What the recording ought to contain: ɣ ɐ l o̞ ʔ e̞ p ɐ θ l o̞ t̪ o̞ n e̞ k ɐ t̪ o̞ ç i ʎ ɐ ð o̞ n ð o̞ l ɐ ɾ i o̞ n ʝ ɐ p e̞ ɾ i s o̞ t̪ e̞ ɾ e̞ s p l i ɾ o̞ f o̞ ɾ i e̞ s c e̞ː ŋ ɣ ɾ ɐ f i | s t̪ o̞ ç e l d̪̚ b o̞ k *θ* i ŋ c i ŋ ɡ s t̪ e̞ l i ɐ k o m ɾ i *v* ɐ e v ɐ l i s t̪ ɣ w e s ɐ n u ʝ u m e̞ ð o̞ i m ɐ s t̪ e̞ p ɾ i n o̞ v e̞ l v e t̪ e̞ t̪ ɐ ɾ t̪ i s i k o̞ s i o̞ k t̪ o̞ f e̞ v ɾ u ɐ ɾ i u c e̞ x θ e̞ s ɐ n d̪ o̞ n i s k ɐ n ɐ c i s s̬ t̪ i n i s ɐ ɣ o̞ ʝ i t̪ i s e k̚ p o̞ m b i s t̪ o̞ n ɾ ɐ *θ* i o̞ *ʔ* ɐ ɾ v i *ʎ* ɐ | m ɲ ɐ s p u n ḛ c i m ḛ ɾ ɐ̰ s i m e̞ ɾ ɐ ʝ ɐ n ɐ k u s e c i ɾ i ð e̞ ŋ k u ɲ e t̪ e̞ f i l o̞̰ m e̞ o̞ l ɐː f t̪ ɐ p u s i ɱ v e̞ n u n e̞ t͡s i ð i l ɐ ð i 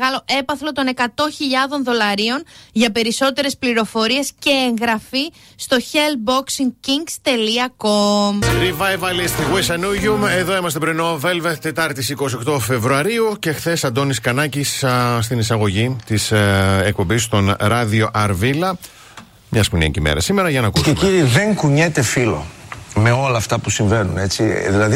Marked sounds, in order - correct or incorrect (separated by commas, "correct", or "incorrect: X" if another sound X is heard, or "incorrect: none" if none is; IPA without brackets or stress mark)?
incorrect: s, correct, incorrect: ð, correct, incorrect: l